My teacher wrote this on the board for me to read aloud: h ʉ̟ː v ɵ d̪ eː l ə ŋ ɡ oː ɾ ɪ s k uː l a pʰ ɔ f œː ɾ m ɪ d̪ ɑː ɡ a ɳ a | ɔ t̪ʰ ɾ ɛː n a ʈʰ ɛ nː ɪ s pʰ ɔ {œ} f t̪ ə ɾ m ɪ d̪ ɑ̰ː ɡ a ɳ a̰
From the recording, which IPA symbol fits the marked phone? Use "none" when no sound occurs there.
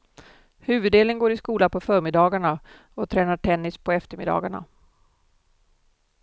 ɛ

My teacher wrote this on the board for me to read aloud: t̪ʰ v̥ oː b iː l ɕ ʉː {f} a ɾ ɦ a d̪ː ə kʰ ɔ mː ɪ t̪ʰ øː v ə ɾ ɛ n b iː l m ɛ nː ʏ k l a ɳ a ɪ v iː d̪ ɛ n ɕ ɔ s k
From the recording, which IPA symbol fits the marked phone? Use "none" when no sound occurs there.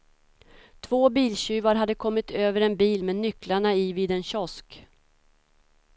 v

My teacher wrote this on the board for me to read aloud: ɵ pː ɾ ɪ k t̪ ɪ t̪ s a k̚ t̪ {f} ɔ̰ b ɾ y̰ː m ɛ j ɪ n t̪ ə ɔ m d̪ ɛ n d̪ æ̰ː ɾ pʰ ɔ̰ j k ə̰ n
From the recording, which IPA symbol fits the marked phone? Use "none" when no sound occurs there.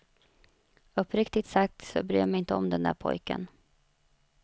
s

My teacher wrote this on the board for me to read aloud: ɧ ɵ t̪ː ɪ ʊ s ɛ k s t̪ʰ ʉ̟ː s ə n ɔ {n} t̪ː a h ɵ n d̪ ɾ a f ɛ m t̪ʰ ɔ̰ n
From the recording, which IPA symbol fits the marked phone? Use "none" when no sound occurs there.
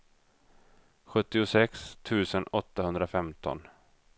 none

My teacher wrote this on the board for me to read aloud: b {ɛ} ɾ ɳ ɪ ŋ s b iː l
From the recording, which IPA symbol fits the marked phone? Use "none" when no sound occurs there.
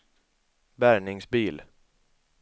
æ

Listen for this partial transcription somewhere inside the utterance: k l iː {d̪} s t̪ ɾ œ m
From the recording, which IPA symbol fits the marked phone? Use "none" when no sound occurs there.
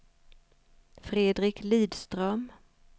d̪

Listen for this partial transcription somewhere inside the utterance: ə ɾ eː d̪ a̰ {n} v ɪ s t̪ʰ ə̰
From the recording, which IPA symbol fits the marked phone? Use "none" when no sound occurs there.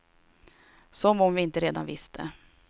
n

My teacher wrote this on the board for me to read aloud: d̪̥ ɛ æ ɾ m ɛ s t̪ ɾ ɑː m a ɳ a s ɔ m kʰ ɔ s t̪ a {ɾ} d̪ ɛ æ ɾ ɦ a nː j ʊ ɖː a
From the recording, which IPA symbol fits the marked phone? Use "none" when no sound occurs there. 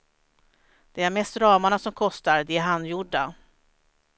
ɾ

